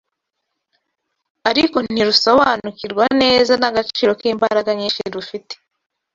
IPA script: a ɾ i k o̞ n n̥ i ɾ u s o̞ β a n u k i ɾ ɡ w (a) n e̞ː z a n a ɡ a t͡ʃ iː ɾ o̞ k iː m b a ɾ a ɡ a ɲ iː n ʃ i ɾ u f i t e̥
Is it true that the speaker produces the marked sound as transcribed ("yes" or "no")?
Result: yes